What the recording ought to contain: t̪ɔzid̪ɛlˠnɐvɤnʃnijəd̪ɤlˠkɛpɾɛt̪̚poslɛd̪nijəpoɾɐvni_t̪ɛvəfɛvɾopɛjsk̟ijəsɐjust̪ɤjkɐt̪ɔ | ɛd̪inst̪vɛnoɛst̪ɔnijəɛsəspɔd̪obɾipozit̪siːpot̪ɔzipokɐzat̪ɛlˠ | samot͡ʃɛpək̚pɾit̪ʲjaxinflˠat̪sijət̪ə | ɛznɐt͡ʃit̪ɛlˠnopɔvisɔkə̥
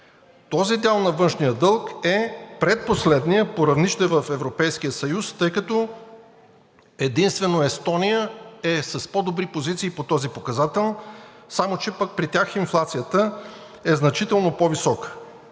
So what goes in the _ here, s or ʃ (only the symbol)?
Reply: ʃ